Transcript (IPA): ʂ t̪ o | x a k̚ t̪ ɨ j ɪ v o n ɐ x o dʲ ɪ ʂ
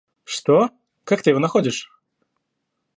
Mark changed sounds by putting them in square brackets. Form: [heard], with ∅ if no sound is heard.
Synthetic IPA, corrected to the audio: ʂ t̪ o | [k] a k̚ t̪ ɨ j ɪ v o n ɐ x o dʲ ɪ ʂ